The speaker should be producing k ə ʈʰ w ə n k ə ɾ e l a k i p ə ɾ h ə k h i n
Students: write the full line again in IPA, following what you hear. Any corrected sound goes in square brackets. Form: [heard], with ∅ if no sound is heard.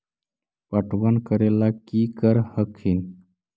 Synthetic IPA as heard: [p] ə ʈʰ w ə n k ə ɾ e l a k i [k] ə ɾ h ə k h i n